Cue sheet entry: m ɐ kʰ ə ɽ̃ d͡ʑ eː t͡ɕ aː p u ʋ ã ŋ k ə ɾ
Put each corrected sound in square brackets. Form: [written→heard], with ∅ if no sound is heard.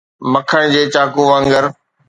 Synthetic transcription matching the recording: m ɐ kʰ ə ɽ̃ d͡ʑ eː t͡ɕ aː [p→k] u ʋ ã ŋ [k→ɡ] ə ɾ